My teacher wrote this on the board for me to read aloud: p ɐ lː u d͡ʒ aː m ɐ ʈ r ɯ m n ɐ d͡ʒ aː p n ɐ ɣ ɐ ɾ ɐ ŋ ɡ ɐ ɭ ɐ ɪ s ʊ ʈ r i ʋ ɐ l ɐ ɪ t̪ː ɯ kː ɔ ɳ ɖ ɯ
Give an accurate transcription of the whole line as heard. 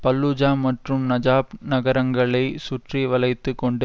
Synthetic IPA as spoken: p ɐ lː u d͡ʒ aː m ɐ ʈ r ɯ m n ɐ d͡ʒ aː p n ɐ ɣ ɐ ɾ ɐ ŋ ɡ ɐ ɭ ɐ ɪ s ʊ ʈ r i ʋ ɐ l ɐ ɪ t̪ː ɯ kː ɔ ɳ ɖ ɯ